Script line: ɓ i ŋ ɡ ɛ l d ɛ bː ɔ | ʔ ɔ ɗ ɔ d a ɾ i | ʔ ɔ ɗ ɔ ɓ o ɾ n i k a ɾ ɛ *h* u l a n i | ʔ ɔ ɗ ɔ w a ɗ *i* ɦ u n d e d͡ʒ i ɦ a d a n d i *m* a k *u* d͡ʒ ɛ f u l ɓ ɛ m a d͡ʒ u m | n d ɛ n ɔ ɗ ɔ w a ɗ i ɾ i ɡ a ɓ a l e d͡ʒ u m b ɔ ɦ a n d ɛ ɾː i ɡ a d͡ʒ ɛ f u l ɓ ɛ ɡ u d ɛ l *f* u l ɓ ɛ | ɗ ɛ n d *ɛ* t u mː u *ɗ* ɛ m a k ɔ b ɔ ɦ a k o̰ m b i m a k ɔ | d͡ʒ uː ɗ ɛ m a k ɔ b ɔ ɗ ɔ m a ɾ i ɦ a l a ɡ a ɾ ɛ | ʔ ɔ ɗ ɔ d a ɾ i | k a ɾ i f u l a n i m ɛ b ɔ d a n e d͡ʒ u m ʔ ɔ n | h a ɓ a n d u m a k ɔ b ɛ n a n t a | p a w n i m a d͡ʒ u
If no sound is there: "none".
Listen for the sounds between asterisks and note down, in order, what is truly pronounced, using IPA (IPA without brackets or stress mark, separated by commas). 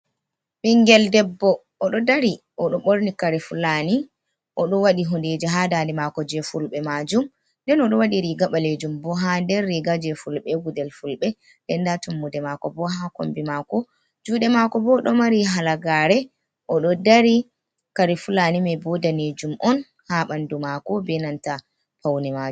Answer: f, i, m, ɔ, f, a, d